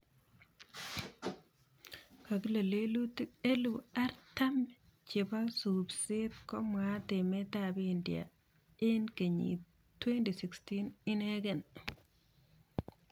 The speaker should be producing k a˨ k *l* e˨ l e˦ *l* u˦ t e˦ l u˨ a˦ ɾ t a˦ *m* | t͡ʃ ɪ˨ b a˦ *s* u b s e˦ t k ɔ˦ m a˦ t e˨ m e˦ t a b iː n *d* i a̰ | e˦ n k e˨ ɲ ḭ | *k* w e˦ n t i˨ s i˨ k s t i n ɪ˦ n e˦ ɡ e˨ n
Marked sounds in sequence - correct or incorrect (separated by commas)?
correct, correct, correct, correct, correct, incorrect